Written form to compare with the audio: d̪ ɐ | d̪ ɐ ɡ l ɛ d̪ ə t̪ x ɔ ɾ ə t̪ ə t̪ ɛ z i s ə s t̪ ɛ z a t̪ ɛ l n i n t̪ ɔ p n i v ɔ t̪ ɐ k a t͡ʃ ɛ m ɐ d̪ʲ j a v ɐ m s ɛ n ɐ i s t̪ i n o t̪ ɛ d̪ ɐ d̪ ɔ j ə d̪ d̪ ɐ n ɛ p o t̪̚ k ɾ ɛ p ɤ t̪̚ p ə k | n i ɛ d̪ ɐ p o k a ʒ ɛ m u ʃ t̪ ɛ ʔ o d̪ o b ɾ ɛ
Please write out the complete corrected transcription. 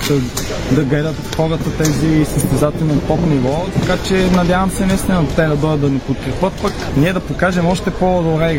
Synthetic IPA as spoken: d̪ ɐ | d̪ ɐ ɡ l ɛ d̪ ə t̪ x ɔ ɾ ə t̪ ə t̪ ɛ z i s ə s t̪ ɛ z a t̪ ɛ l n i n t̪ ɔ p n i v ɔ t̪ ɐ k a t͡ʃ ɛ n ɐ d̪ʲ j a v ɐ m s ɛ n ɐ i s t̪ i n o t̪ ɛ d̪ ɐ d̪ ɔ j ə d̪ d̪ ɐ n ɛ p o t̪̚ k ɾ ɛ p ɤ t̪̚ p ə k | n i ɛ d̪ ɐ p o k a ʒ ɛ m ɔ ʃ t̪ ɛ p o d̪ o b ɾ ɛ